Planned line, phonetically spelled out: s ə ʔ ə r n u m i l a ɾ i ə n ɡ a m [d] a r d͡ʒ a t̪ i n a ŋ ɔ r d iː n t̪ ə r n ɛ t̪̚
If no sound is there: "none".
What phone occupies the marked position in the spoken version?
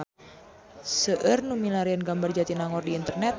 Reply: b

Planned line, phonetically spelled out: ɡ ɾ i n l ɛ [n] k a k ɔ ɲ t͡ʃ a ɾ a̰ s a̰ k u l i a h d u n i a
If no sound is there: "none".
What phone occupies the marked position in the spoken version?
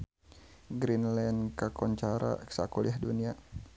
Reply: n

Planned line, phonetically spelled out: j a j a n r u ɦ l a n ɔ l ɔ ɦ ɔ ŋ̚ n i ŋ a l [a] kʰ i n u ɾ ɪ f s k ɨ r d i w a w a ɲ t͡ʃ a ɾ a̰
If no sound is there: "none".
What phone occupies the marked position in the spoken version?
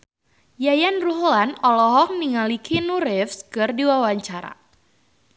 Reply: i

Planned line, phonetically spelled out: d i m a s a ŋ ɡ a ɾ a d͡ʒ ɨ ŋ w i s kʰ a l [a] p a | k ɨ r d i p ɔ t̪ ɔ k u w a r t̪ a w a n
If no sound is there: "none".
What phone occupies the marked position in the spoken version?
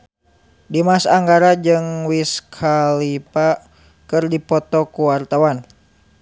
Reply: i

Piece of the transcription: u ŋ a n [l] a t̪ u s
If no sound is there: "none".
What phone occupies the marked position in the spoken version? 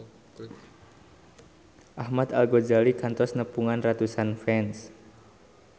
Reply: r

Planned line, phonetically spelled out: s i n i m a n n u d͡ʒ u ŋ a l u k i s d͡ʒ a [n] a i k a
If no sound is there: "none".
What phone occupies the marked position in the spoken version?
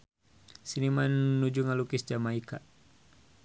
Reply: m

